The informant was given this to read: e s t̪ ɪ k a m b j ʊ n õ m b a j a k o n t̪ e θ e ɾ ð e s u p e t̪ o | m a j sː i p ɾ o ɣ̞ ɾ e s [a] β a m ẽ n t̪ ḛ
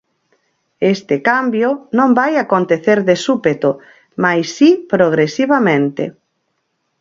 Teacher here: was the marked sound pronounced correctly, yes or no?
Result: no